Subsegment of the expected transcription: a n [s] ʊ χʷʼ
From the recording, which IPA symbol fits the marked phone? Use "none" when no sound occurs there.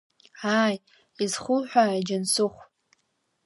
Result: s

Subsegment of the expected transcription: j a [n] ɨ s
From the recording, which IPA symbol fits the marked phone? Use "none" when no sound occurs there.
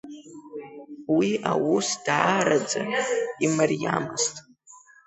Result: m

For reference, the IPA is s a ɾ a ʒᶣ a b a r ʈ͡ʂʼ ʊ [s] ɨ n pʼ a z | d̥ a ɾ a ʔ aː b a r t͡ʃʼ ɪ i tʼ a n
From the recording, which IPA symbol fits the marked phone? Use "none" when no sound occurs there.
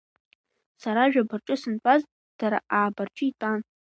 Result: s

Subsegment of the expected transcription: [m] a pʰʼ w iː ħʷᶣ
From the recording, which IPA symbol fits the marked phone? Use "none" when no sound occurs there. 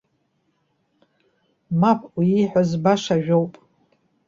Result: m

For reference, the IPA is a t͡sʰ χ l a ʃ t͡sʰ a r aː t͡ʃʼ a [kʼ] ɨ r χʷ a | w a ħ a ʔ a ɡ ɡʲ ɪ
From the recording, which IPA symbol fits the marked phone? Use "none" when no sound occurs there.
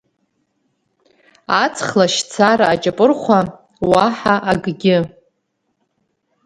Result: pʼ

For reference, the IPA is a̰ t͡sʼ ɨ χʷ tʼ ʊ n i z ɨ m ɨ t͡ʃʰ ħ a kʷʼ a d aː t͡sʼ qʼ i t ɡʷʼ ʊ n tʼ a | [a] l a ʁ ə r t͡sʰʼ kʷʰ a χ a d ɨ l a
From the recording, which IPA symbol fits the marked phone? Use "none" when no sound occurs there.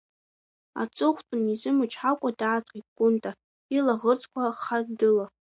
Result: i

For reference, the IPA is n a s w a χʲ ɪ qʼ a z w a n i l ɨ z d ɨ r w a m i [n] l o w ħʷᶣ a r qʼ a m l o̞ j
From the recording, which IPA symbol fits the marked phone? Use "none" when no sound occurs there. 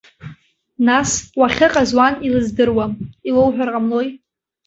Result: none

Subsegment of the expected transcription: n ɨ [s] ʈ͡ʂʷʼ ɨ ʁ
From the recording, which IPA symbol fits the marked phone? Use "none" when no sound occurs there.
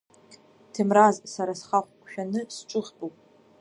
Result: s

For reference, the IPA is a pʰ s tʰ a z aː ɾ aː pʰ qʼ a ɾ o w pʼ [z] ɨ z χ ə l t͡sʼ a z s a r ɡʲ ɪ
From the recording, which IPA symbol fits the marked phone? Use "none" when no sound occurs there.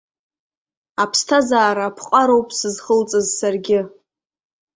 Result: s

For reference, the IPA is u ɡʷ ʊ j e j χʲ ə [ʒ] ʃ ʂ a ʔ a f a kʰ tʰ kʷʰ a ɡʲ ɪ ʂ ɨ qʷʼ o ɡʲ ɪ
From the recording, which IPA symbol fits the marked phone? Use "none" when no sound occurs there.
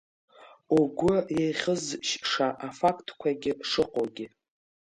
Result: z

